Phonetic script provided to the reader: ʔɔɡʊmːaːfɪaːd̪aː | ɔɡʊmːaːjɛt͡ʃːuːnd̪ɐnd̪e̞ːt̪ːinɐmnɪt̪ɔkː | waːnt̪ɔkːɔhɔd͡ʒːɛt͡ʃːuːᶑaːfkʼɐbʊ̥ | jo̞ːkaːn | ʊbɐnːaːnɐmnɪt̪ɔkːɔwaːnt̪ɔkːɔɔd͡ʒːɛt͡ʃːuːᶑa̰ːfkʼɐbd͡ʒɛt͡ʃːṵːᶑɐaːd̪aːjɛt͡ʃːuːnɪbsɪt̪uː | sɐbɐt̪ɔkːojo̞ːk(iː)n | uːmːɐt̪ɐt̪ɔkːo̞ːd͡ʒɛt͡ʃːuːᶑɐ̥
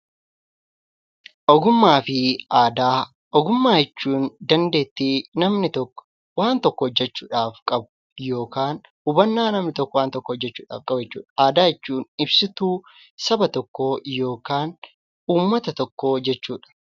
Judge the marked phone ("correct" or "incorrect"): incorrect